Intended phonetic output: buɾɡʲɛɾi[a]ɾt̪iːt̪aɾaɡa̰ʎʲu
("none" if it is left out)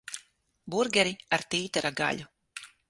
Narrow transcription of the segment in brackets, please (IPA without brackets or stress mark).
a